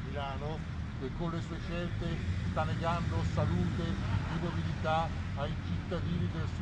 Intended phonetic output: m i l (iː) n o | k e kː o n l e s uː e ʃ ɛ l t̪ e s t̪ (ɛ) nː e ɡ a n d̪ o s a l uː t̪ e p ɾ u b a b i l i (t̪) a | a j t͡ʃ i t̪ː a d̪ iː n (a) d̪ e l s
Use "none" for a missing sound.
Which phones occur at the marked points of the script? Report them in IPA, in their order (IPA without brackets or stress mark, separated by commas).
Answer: aː, a, t̪, i